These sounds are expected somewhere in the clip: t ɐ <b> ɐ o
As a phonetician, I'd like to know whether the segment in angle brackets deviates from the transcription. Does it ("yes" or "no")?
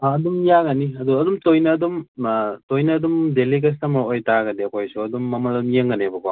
yes